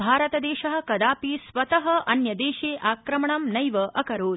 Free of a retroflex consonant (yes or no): no